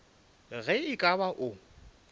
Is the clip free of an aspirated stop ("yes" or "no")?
yes